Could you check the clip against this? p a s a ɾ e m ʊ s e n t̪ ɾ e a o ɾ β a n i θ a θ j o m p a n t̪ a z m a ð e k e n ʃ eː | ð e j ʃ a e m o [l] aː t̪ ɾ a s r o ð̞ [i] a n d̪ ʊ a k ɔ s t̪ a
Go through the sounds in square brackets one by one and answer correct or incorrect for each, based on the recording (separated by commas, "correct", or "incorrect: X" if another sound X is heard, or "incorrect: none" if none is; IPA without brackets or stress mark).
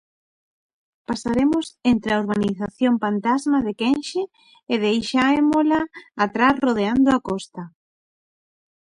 correct, incorrect: e